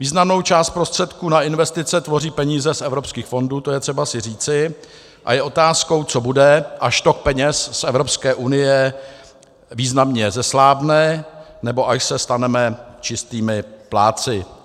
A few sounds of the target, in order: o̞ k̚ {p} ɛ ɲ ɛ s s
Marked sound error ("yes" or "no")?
no